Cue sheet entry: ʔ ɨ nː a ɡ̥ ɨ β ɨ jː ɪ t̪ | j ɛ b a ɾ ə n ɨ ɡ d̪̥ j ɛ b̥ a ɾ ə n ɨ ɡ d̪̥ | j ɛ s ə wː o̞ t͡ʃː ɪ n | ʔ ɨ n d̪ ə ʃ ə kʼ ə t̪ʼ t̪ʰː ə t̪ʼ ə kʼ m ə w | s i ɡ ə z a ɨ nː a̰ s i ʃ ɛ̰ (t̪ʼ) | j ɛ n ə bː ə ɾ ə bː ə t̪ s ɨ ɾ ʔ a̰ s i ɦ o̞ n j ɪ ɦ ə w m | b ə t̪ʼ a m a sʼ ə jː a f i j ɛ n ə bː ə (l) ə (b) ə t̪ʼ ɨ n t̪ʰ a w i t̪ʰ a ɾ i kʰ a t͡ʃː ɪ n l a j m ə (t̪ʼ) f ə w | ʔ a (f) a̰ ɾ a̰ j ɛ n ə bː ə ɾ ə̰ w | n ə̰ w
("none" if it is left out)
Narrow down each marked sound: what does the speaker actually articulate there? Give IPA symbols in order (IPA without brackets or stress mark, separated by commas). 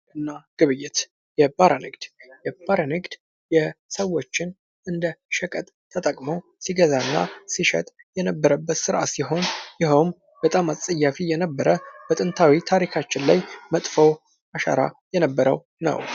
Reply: t̪ʼ, ɾ, b, t̪ʼ, ʃ